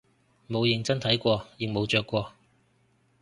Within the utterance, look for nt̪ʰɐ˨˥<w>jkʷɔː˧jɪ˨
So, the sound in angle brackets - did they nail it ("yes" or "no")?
no